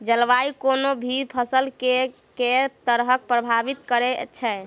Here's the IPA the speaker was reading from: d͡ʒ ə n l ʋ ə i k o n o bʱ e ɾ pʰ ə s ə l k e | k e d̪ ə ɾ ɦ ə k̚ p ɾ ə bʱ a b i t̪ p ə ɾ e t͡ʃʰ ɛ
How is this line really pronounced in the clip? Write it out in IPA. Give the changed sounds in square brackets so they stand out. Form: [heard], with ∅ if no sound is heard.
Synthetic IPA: d͡ʒ ə [∅] l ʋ [a] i k o n o bʱ [i] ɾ pʰ ə s ə l k e | k e [t̪] ə ɾ ɦ ə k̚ p ɾ ə bʱ a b i t̪ [k] ə ɾ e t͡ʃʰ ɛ